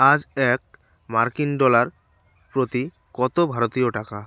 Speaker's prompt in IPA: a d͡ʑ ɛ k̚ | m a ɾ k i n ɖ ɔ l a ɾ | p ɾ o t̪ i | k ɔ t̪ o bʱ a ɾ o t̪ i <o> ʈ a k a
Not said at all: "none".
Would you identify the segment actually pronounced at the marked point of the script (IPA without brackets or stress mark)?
o